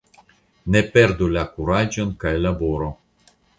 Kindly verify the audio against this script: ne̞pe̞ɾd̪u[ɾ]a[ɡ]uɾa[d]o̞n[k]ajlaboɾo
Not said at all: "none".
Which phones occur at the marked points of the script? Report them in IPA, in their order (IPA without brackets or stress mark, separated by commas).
l, k, d͡ʒ, k